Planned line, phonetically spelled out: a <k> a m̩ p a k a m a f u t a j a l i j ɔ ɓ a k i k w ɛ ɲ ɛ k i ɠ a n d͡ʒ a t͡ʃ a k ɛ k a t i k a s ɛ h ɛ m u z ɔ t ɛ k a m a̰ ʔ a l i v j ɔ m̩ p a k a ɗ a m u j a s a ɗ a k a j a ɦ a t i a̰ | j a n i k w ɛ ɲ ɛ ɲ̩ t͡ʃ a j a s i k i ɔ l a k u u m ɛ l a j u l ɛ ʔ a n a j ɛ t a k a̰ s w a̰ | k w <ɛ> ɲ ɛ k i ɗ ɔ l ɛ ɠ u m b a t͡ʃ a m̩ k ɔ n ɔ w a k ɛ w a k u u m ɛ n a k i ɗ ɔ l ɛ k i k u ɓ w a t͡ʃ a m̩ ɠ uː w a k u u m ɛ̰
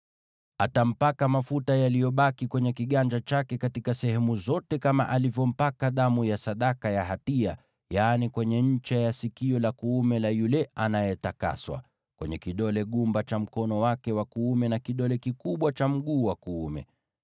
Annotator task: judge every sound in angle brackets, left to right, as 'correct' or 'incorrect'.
incorrect, correct

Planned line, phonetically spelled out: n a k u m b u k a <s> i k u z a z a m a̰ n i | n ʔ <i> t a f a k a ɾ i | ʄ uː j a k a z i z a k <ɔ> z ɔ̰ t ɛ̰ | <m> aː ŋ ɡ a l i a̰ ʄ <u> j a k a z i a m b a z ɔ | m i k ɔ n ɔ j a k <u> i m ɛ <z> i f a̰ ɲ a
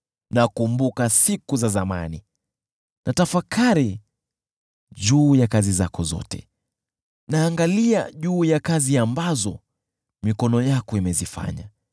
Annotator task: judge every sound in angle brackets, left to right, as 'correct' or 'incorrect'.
correct, incorrect, correct, incorrect, incorrect, incorrect, correct

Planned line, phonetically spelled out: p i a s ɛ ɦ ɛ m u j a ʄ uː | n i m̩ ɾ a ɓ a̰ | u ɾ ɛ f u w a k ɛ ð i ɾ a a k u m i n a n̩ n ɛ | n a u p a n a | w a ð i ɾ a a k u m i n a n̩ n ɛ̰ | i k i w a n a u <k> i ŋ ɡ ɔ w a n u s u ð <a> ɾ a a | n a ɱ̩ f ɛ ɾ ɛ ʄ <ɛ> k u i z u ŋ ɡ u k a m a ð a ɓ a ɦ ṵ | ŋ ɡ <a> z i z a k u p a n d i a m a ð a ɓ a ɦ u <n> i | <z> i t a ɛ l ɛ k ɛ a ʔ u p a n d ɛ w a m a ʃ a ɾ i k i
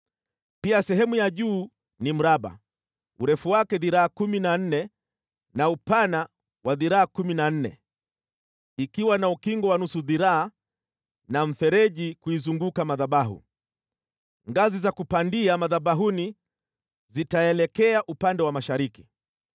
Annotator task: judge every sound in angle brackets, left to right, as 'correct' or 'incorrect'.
correct, incorrect, incorrect, correct, correct, correct

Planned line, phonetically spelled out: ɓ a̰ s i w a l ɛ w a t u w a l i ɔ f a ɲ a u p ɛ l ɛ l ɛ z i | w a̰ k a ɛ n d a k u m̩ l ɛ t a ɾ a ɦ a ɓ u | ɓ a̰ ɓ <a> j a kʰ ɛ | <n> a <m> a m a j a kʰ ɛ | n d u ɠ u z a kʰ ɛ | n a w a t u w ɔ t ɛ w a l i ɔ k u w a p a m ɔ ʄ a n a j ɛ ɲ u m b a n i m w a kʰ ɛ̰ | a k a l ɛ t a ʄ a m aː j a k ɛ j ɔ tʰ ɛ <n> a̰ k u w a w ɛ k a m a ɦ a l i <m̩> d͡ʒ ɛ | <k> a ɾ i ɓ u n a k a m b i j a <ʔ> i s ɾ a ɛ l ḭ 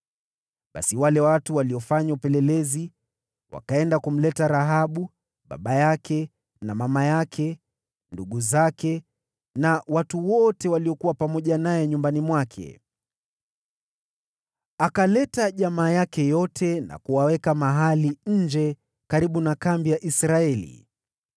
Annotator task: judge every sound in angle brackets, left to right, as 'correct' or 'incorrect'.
correct, correct, correct, correct, incorrect, correct, correct

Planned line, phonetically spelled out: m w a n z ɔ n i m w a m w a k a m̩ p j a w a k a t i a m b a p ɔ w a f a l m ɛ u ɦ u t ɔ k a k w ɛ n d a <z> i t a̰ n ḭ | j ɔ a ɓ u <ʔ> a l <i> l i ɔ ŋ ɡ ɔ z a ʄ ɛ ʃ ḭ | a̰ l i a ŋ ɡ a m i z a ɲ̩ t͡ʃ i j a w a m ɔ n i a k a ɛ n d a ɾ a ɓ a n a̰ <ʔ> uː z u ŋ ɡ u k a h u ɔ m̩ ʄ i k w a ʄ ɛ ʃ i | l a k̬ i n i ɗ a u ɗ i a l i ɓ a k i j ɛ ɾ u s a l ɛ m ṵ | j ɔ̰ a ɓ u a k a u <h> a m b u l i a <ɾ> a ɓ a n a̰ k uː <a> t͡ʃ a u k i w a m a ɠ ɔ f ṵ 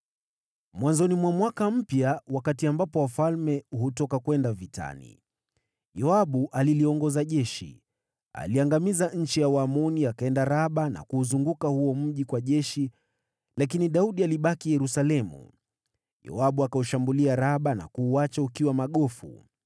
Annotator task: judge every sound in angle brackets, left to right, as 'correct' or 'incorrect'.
incorrect, correct, correct, incorrect, incorrect, correct, correct

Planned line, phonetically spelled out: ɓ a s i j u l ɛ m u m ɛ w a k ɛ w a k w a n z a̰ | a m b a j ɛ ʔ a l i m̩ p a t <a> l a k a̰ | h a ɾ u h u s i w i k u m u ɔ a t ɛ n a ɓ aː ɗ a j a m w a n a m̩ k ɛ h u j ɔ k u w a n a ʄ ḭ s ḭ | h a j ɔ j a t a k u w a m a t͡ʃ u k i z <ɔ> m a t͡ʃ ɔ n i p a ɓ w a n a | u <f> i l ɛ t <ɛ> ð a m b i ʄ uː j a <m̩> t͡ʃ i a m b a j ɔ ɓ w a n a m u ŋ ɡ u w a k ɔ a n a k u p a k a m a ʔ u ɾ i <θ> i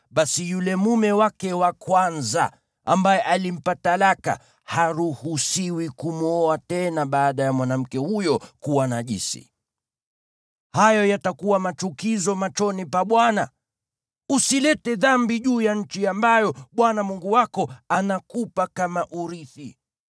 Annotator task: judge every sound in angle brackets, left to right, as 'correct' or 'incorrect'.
correct, correct, incorrect, correct, incorrect, correct

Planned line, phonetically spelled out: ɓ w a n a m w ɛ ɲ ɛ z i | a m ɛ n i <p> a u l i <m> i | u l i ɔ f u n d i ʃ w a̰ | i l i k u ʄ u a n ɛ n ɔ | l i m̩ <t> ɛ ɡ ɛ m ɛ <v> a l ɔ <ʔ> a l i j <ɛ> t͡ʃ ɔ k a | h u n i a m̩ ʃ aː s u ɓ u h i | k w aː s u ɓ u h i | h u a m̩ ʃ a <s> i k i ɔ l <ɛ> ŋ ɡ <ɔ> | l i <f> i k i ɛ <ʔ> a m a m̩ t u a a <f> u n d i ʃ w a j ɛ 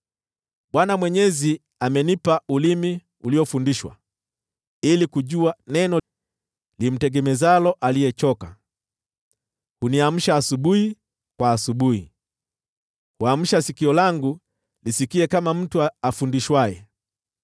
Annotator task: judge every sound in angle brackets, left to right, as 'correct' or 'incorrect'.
correct, correct, correct, incorrect, correct, correct, correct, incorrect, incorrect, incorrect, incorrect, correct

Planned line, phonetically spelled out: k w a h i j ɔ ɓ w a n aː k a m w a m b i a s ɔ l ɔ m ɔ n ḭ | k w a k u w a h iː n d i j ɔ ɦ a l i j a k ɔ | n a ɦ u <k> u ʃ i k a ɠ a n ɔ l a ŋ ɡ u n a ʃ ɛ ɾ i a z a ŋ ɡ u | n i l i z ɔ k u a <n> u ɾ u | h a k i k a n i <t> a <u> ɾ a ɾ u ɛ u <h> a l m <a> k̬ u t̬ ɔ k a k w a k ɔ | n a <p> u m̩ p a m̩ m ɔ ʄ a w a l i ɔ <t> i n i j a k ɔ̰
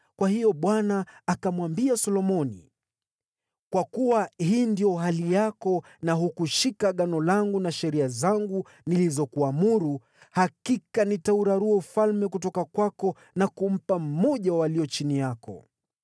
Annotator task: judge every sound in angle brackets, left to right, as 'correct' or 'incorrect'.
correct, incorrect, correct, correct, incorrect, incorrect, incorrect, incorrect

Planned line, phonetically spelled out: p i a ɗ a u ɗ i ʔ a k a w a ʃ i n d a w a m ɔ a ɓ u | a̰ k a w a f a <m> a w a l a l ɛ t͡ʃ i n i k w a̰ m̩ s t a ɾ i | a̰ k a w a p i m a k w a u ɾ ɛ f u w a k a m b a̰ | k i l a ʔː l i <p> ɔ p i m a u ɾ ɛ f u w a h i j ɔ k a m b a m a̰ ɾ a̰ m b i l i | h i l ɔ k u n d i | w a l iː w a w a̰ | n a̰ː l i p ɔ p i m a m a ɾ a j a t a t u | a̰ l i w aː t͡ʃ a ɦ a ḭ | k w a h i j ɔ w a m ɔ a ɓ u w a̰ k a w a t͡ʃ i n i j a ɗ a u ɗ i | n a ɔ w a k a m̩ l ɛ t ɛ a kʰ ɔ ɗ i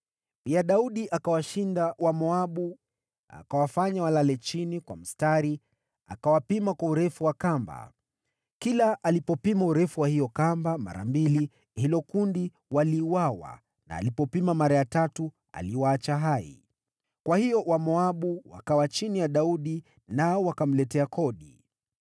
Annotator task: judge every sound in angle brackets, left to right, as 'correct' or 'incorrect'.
incorrect, correct

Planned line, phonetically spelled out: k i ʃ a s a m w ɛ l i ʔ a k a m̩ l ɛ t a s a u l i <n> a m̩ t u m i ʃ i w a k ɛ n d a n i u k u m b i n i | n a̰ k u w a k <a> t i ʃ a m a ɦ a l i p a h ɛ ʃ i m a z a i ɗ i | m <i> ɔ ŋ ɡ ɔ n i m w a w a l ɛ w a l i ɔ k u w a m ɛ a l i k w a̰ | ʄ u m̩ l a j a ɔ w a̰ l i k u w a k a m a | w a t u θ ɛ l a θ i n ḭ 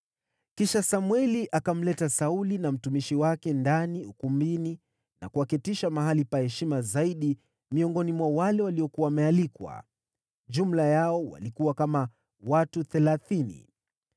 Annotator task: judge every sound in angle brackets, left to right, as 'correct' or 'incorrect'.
correct, incorrect, correct

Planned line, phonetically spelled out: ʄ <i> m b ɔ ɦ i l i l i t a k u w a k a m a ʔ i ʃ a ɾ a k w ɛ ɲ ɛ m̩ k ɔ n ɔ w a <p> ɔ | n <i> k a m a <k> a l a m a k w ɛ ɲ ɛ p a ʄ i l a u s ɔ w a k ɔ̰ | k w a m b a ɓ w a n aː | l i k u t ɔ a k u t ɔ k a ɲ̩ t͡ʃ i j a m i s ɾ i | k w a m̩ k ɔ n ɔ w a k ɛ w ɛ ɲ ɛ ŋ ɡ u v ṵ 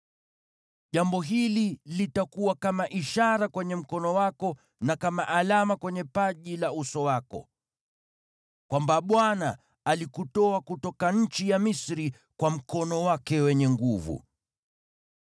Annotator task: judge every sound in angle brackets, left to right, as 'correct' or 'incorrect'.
incorrect, incorrect, incorrect, incorrect

